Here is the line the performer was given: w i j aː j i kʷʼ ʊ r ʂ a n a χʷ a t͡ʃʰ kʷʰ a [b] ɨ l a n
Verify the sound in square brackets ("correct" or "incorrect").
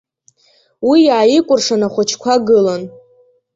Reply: incorrect